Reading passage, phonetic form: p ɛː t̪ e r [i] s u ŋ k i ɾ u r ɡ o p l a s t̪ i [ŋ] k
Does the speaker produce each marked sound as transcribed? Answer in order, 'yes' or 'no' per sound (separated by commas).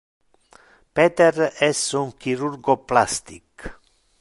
no, no